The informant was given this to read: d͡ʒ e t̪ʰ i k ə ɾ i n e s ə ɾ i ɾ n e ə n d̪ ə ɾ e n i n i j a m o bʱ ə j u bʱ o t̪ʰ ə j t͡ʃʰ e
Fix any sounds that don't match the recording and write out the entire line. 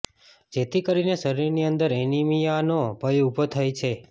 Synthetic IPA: d͡ʒ e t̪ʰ i k ə ɾ i n e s ə ɾ i ɾ n i ə n d̪ ə ɾ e n i m i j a n o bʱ ə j u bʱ o t̪ʰ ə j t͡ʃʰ e